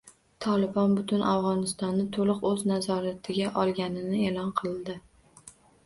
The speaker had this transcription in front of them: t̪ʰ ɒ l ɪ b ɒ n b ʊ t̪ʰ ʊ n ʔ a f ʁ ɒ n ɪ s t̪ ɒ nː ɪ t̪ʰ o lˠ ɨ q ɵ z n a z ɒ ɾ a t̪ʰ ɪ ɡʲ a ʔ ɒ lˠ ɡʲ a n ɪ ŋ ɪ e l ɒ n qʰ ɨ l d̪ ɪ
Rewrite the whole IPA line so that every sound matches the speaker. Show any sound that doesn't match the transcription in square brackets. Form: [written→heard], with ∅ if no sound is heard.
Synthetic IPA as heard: t̪ʰ ɒ l ɪ b ɒ n b ʊ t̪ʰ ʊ n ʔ a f ʁ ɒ n ɪ s t̪ ɒ nː ɪ t̪ʰ o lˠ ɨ q ɵ z n a z ɒ ɾ a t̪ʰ ɪ ɡʲ a ʔ ɒ lˠ ɡʲ a n ɪ [ŋ→n] ɪ e l ɒ n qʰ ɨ l d̪ ɪ